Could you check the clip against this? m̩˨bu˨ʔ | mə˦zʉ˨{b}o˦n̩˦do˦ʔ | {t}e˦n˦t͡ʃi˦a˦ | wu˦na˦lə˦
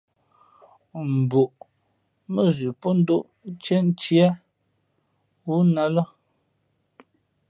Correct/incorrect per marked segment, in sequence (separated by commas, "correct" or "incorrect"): incorrect, incorrect